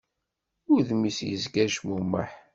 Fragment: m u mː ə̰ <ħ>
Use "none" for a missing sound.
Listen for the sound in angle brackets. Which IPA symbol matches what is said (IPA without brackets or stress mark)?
ħ